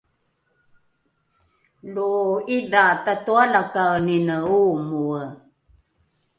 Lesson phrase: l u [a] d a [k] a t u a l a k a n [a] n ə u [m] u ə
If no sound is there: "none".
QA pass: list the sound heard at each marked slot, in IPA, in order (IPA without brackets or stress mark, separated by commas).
i, t, i, m